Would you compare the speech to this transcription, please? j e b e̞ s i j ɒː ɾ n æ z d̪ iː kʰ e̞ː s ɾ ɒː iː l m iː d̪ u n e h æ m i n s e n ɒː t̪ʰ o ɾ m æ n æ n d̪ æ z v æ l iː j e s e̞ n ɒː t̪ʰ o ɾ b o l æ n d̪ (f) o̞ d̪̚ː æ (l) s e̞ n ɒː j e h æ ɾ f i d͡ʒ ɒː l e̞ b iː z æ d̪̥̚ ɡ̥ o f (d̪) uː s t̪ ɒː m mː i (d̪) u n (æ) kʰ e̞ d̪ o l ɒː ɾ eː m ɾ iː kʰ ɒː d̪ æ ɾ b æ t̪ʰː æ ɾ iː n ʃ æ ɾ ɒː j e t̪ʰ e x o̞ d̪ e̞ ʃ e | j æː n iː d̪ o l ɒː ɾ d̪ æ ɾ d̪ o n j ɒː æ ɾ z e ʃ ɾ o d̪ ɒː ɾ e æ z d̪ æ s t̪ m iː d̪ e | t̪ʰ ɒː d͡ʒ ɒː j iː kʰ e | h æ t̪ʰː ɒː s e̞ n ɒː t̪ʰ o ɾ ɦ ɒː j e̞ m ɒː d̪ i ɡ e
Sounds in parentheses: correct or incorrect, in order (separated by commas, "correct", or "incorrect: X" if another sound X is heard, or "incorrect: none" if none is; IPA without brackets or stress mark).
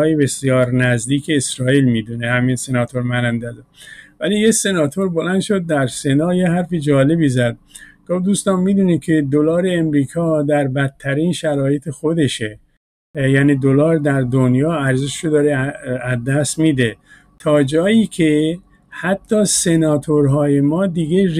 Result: incorrect: ʃ, incorrect: ɾ, correct, correct, incorrect: i